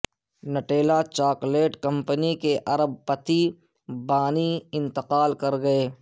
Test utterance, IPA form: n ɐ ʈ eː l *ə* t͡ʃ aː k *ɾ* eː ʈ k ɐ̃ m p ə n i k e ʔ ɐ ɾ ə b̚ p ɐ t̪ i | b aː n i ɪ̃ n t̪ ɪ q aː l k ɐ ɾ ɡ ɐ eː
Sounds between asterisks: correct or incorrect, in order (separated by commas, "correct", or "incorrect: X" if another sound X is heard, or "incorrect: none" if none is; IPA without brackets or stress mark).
incorrect: a, incorrect: l